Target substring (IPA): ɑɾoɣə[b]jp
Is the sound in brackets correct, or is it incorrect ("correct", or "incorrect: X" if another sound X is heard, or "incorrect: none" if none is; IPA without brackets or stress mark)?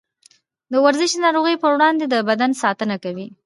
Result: incorrect: none